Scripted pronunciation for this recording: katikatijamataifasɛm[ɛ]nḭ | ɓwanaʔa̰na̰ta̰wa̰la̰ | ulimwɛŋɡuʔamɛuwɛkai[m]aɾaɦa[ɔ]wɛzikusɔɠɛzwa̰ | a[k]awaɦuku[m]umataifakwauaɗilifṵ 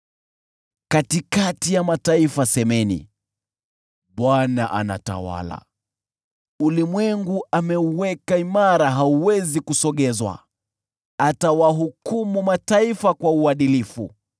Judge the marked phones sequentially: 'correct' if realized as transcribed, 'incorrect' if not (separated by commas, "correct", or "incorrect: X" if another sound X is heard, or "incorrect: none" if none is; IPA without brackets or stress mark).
correct, correct, incorrect: u, incorrect: t, correct